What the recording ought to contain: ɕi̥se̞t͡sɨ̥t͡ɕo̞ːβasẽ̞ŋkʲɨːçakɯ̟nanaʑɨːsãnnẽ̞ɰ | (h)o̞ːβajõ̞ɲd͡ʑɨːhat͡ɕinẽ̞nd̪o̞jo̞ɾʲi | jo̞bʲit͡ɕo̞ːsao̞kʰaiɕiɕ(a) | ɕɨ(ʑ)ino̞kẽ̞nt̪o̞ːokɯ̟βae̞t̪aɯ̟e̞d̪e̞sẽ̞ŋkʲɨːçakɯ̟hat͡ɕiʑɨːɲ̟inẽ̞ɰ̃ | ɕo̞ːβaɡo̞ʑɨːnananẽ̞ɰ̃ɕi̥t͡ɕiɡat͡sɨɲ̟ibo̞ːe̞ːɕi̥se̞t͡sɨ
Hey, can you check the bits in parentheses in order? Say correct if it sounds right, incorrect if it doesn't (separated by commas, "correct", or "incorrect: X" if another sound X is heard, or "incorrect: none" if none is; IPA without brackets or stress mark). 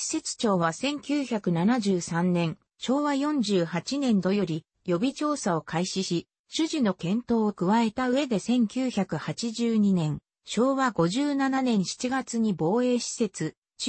incorrect: ɕ, incorrect: i, correct